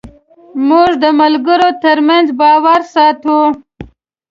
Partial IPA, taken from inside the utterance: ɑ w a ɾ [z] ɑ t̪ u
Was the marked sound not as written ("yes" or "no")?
yes